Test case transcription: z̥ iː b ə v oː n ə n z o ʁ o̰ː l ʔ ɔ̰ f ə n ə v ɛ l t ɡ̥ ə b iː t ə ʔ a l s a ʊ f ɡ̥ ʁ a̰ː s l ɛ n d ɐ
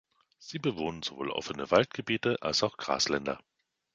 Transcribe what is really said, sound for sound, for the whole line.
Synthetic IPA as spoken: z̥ iː b ə v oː n ə n z o v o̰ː l ʔ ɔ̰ f ə n ə v a l t ɡ̥ ə b iː t ə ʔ a l s a ʊ x ɡ̥ ʁ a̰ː s l ɛ n d ɐ